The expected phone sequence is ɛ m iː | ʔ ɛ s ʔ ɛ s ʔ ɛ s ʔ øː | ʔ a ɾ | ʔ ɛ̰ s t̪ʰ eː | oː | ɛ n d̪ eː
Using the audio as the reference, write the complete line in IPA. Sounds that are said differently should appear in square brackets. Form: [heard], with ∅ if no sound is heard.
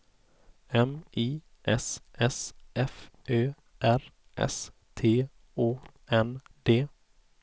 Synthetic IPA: ɛ m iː | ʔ ɛ s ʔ ɛ s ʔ ɛ [f] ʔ øː | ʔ [æ] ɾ | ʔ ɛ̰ s t̪ʰ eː | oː | ɛ n d̪ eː